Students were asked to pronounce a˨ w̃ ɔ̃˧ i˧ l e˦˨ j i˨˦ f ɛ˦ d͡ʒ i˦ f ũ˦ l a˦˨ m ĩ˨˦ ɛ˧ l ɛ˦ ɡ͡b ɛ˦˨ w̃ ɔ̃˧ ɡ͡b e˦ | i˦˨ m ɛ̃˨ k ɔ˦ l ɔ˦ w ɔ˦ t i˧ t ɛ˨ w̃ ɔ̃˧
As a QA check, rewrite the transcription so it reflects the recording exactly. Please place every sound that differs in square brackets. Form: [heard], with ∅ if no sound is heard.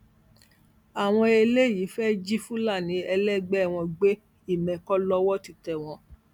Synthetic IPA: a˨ w̃ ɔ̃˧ [e˧] l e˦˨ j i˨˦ f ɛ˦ d͡ʒ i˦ f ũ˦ l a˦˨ [n] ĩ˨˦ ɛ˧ l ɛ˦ ɡ͡b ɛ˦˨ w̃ ɔ̃˧ ɡ͡b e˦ | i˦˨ m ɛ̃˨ k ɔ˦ l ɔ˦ w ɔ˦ t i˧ t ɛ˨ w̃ ɔ̃˧